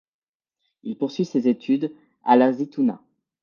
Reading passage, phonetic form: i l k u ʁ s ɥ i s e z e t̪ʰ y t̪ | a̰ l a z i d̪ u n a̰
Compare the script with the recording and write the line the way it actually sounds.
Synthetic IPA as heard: i l p u ʁ s ɥ i s e z e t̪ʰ y d̪ | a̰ l a z i t̪ u n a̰